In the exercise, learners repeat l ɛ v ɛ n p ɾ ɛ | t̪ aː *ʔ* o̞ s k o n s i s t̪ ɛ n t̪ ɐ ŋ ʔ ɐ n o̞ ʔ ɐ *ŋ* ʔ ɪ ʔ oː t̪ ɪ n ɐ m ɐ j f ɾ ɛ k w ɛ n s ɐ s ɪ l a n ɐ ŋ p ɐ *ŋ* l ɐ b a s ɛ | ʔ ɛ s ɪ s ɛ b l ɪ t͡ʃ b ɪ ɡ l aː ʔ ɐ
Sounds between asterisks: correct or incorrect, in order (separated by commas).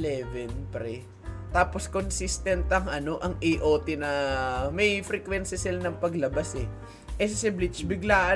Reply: incorrect, correct, incorrect